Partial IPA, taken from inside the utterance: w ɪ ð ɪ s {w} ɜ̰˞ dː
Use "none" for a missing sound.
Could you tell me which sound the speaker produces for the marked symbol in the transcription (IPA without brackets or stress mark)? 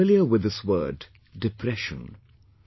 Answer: w